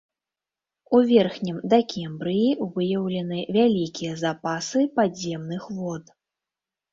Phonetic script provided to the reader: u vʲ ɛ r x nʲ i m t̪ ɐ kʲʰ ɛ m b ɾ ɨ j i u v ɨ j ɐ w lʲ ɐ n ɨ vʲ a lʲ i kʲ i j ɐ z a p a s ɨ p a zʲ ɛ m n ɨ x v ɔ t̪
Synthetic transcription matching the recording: u vʲ ɛ r x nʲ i m d̪ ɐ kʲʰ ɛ m b ɾ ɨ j i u v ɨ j ɐ w lʲ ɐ n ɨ vʲ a lʲ i kʲ i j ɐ z a p a s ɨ p a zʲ ɛ m n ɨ x v ɔ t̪